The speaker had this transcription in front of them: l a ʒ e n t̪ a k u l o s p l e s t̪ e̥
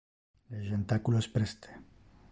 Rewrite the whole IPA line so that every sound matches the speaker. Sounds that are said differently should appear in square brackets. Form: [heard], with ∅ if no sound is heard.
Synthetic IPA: l [e] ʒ e n t̪ a k u l o s p [ɾ] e s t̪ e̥